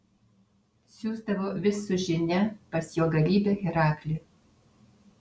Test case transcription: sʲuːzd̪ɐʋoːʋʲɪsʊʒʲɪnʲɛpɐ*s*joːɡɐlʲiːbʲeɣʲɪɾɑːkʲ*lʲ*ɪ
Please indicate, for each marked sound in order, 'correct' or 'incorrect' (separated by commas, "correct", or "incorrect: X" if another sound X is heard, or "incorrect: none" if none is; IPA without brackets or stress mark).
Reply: correct, correct